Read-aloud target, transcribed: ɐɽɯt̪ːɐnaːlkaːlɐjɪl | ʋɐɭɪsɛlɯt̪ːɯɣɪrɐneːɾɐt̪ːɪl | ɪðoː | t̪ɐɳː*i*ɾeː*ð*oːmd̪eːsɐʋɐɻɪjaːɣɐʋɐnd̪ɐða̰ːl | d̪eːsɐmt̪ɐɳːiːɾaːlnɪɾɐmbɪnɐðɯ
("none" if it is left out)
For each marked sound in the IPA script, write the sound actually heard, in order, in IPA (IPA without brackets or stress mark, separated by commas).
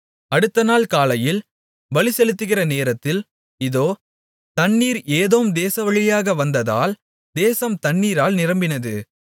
iː, ð